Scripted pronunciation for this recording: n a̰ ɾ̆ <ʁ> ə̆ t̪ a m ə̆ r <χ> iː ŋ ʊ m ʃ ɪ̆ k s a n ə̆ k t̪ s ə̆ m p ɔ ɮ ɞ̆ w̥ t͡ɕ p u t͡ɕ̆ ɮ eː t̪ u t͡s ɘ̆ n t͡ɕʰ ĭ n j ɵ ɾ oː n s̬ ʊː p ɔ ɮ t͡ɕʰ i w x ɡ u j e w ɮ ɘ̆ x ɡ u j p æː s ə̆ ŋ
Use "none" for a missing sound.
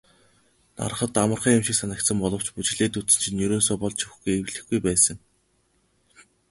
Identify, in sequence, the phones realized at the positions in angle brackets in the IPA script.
χ, χ

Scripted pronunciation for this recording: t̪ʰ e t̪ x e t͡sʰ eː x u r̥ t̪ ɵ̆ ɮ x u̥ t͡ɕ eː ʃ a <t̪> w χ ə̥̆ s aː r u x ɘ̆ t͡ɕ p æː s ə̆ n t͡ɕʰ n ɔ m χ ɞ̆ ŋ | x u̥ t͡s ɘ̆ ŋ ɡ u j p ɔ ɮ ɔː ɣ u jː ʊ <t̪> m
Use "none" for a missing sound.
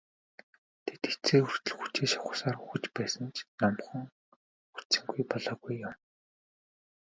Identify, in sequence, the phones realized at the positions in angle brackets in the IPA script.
none, none

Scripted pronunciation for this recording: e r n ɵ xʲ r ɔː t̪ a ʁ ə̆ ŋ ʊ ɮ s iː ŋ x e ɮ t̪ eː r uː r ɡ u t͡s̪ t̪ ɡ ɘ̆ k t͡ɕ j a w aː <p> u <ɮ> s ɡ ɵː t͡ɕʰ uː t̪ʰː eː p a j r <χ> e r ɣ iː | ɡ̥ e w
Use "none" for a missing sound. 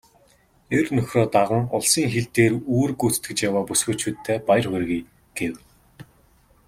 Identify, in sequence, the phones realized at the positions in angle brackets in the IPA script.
p, none, χ

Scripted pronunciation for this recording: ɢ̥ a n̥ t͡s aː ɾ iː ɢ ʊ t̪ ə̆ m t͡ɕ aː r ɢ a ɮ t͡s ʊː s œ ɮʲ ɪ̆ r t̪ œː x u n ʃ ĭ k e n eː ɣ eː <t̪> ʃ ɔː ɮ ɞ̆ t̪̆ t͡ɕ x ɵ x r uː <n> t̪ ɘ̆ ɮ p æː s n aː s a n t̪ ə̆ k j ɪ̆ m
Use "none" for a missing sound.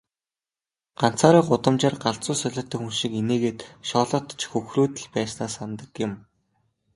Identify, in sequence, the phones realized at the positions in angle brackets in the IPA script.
t̪, none

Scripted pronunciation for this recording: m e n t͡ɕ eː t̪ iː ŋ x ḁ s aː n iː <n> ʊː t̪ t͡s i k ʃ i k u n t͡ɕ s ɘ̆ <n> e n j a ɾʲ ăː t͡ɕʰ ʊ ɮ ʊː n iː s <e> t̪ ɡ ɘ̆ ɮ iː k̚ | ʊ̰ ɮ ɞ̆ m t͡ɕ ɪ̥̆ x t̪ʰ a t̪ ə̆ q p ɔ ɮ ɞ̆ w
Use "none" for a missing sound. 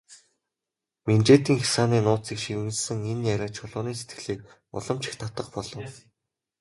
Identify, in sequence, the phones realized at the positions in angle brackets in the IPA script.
n, ŋ, e

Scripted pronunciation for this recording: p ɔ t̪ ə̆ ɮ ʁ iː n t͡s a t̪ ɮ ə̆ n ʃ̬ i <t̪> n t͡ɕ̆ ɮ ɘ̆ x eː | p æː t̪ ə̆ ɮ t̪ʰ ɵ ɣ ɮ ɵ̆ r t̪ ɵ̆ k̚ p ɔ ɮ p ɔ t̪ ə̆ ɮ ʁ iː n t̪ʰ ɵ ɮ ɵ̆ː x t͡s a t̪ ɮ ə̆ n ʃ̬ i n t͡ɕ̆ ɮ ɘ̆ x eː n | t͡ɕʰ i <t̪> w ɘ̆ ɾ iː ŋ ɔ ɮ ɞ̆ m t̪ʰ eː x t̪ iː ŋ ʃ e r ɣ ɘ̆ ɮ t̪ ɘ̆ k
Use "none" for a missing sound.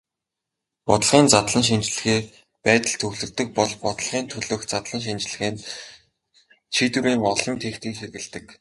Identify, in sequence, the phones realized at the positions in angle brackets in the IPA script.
none, t̪

